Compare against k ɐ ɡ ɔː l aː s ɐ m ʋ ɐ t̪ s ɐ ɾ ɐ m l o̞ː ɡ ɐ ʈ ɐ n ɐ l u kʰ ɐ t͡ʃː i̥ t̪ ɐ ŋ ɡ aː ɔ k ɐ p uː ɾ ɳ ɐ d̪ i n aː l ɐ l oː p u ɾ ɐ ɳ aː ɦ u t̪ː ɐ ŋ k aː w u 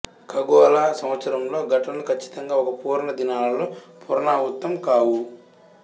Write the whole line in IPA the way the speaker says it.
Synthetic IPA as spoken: k ɐ ɡ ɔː l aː s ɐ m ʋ ɐ t̪ s ɐ ɾ ɐ m l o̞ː ɡ ɐ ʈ ɐ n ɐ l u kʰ ɐ t͡ʃː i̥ t̪ ɐ ŋ ɡ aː ɔ k ɐ p uː ɾ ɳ ɐ d̪ i n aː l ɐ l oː p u ɾ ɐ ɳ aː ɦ u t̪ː ɐ m k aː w u